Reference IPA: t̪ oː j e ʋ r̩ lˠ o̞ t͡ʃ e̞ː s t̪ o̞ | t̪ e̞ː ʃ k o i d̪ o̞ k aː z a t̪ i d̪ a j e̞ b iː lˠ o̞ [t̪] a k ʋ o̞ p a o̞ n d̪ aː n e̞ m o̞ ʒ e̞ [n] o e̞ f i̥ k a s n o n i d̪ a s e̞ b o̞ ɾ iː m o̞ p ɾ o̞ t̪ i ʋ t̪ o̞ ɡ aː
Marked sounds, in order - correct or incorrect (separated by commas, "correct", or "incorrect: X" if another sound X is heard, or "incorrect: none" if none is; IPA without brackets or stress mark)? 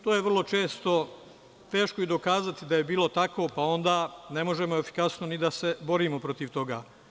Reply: correct, incorrect: m